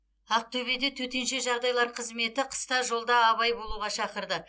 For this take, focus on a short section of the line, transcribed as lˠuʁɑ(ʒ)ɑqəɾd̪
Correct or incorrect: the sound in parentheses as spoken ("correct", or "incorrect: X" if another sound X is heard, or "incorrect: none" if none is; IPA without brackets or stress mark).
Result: incorrect: ʃ